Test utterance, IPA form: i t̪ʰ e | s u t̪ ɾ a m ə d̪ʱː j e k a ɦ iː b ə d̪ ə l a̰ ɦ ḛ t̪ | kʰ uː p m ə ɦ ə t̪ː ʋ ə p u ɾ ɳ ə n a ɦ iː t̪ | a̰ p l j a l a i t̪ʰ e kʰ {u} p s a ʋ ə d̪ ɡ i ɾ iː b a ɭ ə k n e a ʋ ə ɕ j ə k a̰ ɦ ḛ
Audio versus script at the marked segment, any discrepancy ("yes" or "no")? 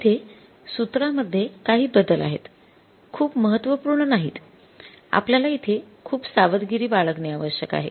yes